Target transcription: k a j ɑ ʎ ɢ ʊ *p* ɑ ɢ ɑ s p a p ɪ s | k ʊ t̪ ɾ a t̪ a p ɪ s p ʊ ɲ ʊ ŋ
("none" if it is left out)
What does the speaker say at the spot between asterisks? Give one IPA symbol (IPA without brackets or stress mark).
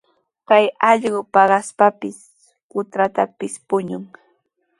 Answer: p